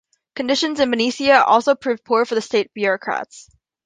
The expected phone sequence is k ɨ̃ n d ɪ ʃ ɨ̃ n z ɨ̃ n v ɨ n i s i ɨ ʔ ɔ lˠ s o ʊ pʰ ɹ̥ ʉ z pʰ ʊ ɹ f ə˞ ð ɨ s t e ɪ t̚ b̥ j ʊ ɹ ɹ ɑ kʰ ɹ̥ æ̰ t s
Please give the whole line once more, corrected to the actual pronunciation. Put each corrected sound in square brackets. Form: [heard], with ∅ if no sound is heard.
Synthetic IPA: k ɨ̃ n d ɪ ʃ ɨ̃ n z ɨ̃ n v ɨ n i s i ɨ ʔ ɔ lˠ s o ʊ pʰ ɹ̥ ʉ [v] pʰ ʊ ɹ f ə˞ ð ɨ s t e ɪ t̚ b̥ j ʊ ɹ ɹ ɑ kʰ ɹ̥ æ̰ t s